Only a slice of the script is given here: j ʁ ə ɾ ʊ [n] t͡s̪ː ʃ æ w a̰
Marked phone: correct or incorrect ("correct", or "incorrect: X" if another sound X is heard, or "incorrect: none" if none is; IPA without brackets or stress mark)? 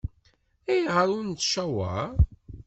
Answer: correct